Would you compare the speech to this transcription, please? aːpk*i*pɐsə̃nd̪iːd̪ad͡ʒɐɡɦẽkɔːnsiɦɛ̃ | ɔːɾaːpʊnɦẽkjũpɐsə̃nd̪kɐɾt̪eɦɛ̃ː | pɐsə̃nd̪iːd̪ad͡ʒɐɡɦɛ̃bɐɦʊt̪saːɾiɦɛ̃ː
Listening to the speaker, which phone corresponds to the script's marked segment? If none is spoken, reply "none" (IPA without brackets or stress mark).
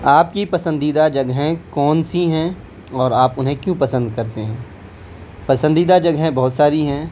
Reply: i